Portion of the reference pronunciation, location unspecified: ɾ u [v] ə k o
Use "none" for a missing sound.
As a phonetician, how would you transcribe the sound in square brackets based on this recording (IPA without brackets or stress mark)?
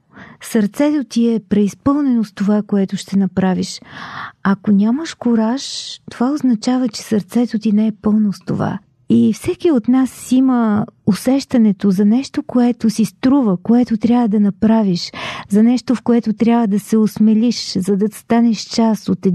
v